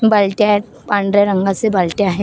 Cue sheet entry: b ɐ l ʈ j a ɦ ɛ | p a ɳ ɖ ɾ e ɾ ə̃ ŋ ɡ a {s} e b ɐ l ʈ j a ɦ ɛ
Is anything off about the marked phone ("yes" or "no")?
no